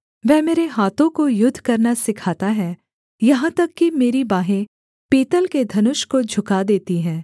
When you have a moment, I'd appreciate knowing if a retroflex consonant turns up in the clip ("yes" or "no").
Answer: no